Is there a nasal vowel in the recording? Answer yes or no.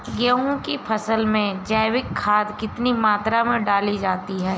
yes